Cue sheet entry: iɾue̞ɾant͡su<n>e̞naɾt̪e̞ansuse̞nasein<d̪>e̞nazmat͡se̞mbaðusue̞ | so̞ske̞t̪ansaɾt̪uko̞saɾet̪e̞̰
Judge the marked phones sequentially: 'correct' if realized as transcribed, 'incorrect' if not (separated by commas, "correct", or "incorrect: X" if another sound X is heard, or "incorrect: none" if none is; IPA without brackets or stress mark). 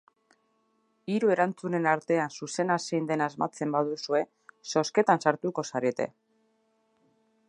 correct, correct